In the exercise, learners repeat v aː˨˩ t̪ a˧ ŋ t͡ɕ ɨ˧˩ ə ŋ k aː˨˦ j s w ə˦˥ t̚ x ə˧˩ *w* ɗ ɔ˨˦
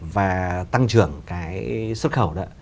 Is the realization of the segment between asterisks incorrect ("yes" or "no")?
no